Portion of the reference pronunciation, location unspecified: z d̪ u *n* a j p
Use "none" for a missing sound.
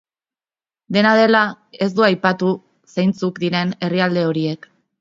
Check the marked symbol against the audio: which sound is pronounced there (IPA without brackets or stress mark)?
none